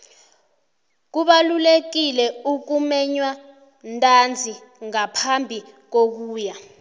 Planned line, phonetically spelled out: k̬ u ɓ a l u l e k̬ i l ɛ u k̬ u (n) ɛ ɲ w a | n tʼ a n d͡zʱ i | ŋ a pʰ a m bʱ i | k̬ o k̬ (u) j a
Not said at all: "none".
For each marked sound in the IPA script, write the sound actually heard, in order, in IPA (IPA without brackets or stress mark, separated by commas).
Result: m, uː